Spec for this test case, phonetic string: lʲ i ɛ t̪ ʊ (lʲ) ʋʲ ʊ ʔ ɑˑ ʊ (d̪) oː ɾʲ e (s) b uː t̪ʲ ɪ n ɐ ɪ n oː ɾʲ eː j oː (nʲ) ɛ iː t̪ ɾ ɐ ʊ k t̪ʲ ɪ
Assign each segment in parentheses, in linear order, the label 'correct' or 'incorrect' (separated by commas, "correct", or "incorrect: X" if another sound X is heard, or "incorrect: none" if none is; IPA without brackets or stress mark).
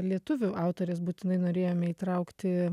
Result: incorrect: none, incorrect: t̪, correct, incorrect: mʲ